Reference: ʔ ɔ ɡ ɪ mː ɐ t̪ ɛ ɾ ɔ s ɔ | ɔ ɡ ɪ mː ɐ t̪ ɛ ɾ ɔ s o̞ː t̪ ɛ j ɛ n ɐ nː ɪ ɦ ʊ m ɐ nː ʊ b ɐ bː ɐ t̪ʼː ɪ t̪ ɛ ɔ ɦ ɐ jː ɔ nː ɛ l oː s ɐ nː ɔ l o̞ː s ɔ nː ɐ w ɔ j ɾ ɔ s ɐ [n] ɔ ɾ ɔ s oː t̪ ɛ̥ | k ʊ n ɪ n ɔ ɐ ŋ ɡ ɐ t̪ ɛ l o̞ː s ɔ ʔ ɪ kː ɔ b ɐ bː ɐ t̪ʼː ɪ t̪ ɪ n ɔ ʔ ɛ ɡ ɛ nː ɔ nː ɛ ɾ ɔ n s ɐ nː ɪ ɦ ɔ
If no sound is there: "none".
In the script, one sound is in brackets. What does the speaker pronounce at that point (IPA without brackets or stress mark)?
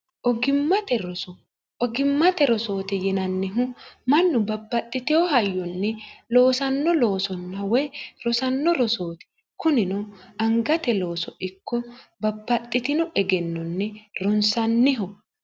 nː